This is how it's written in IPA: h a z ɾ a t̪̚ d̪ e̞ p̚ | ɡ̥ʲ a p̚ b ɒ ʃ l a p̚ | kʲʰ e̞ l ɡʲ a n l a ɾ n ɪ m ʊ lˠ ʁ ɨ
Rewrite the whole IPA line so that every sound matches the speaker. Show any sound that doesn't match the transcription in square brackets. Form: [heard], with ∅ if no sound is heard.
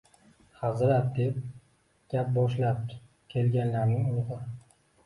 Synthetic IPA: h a z ɾ a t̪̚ d̪ e̞ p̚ | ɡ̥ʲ a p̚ b ɒ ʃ l a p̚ | kʲʰ e̞ l ɡʲ a n l a ɾ n ɪ [ŋ] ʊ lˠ ʁ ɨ